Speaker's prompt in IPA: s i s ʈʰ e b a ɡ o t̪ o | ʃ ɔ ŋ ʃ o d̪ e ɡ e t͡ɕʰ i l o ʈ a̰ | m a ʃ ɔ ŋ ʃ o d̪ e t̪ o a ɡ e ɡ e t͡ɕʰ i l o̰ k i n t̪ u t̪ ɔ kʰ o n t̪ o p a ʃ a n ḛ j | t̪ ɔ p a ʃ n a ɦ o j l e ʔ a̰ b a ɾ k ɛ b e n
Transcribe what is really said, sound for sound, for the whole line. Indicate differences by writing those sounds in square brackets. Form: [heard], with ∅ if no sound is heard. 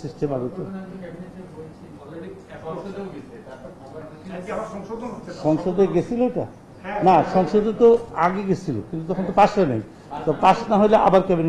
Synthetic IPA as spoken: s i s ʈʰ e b a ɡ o t̪ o | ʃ ɔ ŋ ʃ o d̪ e ɡ e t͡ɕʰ i l o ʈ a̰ | [n] a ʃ ɔ ŋ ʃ o d̪ e t̪ o a ɡ e ɡ e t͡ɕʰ i l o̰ k i n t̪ u t̪ ɔ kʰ o n t̪ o p a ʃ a n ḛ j | t̪ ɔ p a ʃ n a ɦ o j l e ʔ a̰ b a ɾ k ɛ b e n